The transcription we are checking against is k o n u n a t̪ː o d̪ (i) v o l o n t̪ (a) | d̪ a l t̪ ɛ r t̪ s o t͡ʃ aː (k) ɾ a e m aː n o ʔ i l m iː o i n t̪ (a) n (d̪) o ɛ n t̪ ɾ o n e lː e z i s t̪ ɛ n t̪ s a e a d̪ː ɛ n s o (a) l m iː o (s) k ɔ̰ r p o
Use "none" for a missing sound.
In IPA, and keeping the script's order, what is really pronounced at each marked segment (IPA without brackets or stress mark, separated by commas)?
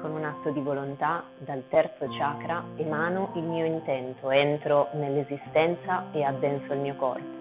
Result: i, a, k, ɛ, t̪, i, none